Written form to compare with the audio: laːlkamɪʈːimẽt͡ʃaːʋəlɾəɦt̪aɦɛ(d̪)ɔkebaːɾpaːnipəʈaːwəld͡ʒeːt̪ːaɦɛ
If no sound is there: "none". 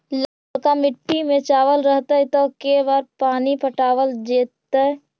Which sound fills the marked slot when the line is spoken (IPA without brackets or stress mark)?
t̪